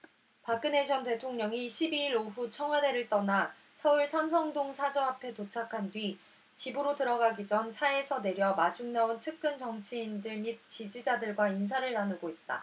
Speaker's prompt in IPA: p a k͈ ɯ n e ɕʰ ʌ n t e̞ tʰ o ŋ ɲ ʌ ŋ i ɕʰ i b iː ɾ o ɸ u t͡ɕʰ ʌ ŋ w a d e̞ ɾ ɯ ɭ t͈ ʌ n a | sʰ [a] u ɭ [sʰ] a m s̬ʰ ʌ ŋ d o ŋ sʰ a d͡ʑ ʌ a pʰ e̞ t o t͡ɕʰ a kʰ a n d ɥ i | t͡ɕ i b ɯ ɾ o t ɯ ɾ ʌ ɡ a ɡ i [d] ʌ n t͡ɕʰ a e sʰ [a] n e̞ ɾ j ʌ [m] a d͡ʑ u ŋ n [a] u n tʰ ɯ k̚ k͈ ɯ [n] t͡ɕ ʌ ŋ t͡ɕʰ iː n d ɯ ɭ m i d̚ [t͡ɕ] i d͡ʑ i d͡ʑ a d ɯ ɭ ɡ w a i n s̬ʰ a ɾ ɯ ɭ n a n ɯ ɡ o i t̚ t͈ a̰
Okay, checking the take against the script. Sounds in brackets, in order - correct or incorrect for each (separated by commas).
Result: incorrect, correct, incorrect, incorrect, correct, correct, correct, correct